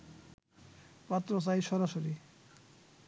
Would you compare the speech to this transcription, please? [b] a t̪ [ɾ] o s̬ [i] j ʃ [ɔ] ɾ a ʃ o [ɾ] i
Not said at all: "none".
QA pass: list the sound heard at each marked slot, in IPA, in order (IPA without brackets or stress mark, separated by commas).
p, ɾ, a, ɔ, ɾ